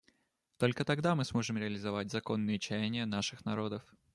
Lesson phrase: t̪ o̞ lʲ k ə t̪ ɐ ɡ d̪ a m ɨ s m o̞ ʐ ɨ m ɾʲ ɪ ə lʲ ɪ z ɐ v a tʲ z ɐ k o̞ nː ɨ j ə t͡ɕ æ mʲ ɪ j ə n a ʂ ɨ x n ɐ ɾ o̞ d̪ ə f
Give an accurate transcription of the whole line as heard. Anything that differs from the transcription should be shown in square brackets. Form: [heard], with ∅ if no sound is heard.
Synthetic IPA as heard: t̪ o̞ lʲ k ə t̪ ɐ ɡ d̪ a m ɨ s m o̞ ʐ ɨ m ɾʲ ɪ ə lʲ ɪ z ɐ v a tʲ z ɐ k o̞ nː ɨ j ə t͡ɕ æ [nʲ] ɪ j ə n a ʂ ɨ x n ɐ ɾ o̞ d̪ ə f